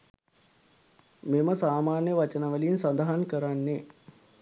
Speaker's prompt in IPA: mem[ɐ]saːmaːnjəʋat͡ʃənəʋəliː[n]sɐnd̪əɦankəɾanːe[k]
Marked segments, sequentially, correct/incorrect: incorrect, correct, incorrect

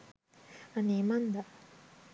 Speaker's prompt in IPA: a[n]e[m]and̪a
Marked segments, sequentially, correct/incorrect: correct, correct

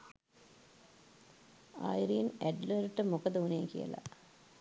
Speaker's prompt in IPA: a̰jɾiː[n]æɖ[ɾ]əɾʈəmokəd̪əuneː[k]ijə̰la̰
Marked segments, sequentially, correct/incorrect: correct, incorrect, correct

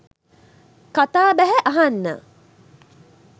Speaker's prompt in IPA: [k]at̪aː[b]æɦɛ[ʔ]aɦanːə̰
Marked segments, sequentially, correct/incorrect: correct, correct, correct

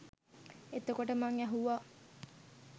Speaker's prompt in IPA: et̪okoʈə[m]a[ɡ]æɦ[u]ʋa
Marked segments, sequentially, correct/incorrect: correct, incorrect, correct

